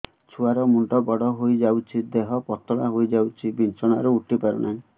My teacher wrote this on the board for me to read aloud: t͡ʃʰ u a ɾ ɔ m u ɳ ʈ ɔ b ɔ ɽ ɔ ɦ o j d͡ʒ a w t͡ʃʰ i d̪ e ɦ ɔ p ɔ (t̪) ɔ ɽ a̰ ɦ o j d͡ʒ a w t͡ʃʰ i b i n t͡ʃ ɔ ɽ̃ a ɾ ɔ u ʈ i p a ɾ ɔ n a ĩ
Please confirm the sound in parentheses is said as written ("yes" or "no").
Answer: yes